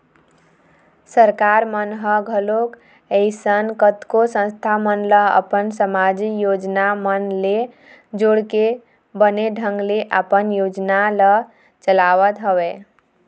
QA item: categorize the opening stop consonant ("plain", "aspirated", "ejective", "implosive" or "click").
plain